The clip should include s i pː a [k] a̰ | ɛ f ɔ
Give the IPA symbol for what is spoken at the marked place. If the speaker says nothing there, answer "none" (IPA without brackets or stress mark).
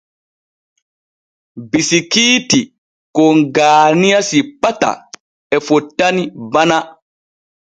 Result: t